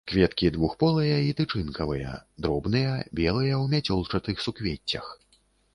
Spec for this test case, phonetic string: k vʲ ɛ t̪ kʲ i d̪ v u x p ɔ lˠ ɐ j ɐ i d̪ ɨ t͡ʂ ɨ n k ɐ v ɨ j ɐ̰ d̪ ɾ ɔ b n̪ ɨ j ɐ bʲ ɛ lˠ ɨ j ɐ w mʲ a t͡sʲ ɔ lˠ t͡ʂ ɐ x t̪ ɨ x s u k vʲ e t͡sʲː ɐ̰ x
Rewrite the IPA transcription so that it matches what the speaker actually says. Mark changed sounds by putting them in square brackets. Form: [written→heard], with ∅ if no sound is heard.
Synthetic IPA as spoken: k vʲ ɛ t̪ kʲ i d̪ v u x p ɔ lˠ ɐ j ɐ i [d̪→t̪] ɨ t͡ʂ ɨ n k ɐ v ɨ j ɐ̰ d̪ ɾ ɔ b n̪ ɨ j ɐ bʲ ɛ lˠ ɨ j ɐ w mʲ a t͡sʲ ɔ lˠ t͡ʂ ɐ [x→∅] t̪ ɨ x s u k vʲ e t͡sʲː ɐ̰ x